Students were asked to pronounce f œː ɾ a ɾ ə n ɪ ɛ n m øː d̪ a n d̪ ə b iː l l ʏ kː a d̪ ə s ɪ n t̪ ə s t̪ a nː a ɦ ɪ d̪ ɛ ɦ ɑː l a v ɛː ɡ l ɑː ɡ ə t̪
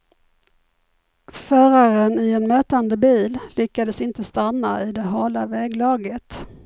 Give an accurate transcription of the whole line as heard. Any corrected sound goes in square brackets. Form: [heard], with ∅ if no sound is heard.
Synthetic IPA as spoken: f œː ɾ a ɾ ə n ɪ ɛ n m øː [t̪] a n d̪ ə b iː l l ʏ kː a d̪ ə s ɪ n t̪ ə s t̪ a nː a [∅] ɪ d̪ ɛ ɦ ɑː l a v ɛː ɡ l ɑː ɡ ə t̪